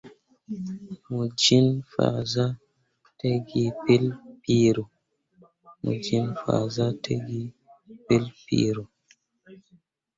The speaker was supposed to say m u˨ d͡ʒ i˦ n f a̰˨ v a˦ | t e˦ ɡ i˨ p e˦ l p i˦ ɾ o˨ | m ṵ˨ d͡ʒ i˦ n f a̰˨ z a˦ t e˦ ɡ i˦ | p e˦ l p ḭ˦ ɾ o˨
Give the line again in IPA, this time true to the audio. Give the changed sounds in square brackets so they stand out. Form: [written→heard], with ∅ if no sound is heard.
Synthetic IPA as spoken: m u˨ d͡ʒ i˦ n f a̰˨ [v→z] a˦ | t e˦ ɡ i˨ p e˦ l p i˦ ɾ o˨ | m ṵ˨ d͡ʒ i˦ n f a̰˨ z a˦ t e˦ ɡ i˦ | p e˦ l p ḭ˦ ɾ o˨